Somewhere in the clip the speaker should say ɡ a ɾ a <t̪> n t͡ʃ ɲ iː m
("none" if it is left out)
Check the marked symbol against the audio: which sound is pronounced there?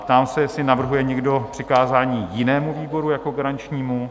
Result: none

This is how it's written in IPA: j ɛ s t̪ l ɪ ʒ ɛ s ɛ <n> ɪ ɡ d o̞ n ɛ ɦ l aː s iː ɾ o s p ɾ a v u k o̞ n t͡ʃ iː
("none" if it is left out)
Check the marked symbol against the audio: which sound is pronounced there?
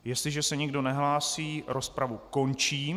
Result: ɲ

